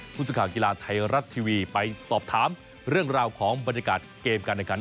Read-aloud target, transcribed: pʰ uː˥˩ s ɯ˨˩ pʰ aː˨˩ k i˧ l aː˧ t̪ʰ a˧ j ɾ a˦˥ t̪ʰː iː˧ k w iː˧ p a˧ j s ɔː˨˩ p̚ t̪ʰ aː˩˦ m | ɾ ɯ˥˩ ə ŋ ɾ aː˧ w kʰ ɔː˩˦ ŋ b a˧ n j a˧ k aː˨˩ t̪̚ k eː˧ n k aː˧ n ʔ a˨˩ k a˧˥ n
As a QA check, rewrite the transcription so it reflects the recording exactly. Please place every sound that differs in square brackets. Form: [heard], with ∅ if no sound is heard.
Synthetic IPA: pʰ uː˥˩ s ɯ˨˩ [kʰ] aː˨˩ k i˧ l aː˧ t̪ʰ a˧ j ɾ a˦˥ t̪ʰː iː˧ [∅] w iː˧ p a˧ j s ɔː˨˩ p̚ t̪ʰ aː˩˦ m | ɾ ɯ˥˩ ə ŋ ɾ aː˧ w kʰ ɔː˩˦ ŋ b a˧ n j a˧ k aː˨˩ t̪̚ k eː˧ [m] k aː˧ n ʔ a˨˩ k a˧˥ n